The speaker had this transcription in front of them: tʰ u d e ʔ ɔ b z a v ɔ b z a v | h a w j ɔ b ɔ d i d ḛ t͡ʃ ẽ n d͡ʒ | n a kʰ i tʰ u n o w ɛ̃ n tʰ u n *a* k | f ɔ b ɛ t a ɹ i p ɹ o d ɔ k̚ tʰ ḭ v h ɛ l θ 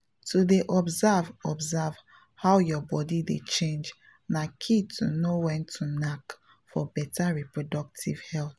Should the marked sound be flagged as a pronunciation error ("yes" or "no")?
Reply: no